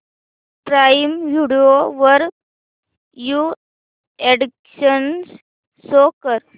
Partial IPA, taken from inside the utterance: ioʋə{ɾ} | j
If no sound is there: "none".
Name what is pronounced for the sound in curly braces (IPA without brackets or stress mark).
ɾ